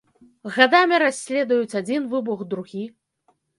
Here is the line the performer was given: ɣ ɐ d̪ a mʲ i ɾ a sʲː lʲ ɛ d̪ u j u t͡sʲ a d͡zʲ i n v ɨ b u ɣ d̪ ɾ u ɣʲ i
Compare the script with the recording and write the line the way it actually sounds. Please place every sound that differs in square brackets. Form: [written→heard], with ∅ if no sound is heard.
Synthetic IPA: ɣ [ɐ→a] d̪ a mʲ i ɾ a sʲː lʲ ɛ d̪ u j u t͡sʲ a d͡zʲ i n v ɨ b u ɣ d̪ ɾ u ɣʲ i